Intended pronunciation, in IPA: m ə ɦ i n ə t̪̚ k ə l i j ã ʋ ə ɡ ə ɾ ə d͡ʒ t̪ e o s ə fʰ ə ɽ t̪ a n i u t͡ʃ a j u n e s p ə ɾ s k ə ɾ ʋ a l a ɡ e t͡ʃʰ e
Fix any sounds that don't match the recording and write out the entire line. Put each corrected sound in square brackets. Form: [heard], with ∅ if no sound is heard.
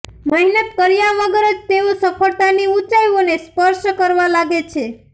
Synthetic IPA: m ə ɦ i n ə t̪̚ k ə [ɾ] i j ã ʋ ə ɡ ə ɾ ə d͡ʒ t̪ e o s ə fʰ ə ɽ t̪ a n i u t͡ʃ a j [o] n e s p ə ɾ [ʃ] k ə ɾ ʋ a l a ɡ e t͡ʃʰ e